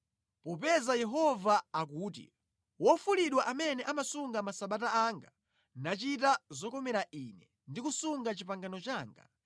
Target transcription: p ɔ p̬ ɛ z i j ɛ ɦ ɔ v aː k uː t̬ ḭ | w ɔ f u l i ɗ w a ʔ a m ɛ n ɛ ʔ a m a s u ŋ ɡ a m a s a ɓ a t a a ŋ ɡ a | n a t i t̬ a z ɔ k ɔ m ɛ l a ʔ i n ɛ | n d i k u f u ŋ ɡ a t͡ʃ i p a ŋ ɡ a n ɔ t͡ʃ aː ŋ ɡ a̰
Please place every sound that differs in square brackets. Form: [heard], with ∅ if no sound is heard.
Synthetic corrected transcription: p ɔ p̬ ɛ z [a] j ɛ ɦ ɔ v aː k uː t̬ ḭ | w ɔ f u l i ɗ w a ʔ a m ɛ n ɛ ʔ a m a s u ŋ ɡ a m a s a ɓ a t a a ŋ ɡ a | n a [t͡ʃ] i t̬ a z ɔ k ɔ m ɛ [ɾ] a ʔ i n ɛ | n d i k u [s] u ŋ ɡ a t͡ʃ i p a ŋ ɡ a n ɔ t͡ʃ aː ŋ ɡ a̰